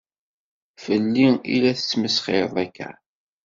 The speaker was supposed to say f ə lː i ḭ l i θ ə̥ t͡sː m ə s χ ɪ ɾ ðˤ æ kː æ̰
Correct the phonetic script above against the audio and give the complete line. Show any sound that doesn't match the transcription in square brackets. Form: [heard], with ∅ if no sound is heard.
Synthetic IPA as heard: f ə lː i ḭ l [æ] θ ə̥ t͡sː m ə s χ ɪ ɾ ðˤ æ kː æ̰